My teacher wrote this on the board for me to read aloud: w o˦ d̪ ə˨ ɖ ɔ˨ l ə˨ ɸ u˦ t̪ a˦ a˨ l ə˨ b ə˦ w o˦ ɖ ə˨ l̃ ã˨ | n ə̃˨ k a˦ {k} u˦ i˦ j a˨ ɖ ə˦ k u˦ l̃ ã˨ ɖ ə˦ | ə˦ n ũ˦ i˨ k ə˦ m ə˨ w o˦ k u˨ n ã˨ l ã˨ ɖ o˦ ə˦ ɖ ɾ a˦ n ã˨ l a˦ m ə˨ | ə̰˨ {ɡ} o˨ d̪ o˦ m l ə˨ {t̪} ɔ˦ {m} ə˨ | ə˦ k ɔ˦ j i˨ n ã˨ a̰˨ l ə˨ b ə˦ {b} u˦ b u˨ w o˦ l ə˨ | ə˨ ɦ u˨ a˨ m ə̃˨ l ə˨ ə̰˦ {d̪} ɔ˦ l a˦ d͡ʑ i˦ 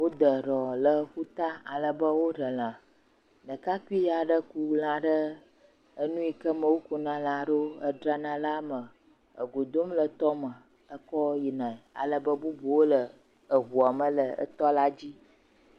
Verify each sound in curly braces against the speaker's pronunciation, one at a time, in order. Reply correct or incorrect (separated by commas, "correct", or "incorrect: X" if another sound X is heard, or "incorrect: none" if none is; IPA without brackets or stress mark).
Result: correct, correct, correct, correct, correct, incorrect: t̪